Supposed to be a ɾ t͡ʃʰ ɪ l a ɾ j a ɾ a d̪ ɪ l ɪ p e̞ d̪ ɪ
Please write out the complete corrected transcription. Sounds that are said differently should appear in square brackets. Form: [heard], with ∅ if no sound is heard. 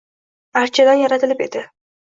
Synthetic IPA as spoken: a ɾ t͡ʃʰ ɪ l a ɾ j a ɾ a [t̪] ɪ l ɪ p e̞ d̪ ɪ